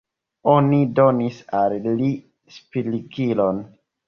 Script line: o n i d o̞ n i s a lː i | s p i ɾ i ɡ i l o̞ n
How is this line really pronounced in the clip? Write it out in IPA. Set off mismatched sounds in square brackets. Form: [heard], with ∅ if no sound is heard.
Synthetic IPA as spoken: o n i d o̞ n i s a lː i | s p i [l] i ɡ i l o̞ n